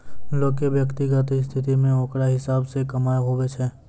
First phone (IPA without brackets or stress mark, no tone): l